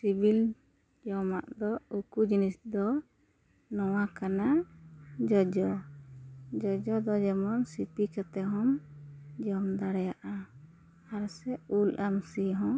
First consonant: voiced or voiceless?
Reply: voiceless